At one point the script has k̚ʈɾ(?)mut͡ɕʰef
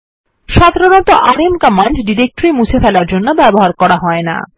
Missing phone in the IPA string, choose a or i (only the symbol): i